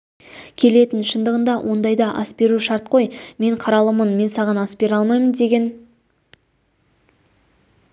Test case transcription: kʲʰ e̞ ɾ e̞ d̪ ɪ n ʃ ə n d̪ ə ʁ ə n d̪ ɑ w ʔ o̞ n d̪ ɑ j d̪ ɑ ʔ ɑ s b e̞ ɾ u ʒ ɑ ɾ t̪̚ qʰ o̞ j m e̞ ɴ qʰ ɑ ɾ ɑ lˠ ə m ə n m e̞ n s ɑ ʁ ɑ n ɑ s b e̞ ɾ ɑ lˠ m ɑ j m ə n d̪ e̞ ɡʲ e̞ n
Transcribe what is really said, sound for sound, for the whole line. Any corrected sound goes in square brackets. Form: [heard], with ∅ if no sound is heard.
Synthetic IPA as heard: kʲʰ e̞ [l] e̞ [t̪] ɪ n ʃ ə n d̪ ə ʁ ə n d̪ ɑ w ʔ o̞ n d̪ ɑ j d̪ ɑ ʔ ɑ s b e̞ ɾ u [ʃ] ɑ ɾ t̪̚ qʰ o̞ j m e̞ ɴ qʰ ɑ ɾ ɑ lˠ ə m ə n m e̞ n s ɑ ʁ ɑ n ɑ s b e̞ ɾ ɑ lˠ m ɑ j m ə n d̪ e̞ ɡʲ e̞ n